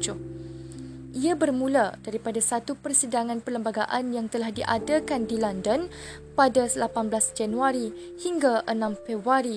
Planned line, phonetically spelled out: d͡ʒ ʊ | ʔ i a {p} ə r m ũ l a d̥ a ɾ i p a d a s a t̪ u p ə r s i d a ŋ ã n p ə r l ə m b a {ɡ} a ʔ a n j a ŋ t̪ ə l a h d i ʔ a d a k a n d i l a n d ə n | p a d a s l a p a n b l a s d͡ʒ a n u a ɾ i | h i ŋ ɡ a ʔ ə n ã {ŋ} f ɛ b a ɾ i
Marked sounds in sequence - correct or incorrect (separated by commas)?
incorrect, correct, incorrect